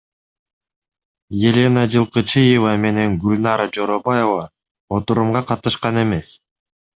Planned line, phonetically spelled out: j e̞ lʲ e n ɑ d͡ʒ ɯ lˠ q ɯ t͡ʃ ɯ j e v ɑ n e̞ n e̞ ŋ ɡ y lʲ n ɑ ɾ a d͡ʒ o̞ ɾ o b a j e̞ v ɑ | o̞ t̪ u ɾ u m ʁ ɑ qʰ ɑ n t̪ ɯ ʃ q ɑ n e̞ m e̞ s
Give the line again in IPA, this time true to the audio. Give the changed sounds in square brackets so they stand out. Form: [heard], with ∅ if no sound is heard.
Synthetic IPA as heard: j e̞ lʲ e n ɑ d͡ʒ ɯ lˠ q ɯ t͡ʃ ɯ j e v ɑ [m] e̞ n e̞ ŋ ɡ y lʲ n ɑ ɾ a d͡ʒ o̞ ɾ o b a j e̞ v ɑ | o̞ t̪ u ɾ u m ʁ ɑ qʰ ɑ [∅] t̪ ɯ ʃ q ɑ n e̞ m e̞ s